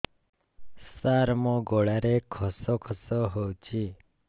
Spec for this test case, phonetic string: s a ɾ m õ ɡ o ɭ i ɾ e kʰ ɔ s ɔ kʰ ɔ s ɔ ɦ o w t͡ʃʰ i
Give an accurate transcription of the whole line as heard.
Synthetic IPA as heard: s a ɾ m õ ɡ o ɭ a ɾ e kʰ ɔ s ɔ kʰ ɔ s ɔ ɦ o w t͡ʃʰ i